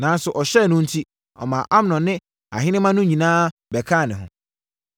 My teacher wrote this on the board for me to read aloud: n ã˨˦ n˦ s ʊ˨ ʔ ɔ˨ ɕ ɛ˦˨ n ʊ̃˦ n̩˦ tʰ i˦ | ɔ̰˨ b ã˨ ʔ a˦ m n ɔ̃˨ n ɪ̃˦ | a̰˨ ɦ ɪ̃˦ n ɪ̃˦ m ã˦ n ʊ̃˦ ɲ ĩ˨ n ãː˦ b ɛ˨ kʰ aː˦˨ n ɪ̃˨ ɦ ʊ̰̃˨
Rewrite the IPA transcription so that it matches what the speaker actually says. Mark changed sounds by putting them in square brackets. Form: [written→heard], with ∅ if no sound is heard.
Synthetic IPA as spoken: n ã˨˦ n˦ s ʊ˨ ʔ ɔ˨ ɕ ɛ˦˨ n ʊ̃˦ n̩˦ tʰ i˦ | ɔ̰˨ [b→m] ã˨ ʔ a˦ m n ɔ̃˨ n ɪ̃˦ | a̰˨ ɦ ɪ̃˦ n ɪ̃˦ m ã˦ n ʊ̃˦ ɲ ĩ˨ n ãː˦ b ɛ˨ kʰ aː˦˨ n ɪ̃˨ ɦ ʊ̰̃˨